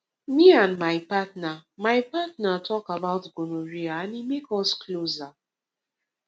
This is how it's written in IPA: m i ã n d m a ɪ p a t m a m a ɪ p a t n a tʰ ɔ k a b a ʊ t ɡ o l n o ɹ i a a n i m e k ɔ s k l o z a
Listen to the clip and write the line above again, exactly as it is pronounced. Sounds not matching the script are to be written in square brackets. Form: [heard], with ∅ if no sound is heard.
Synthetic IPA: m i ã n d m a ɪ p a t [n] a m a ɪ p a t n a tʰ ɔ k a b a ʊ t ɡ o [∅] n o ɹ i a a n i m e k ɔ s k l o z a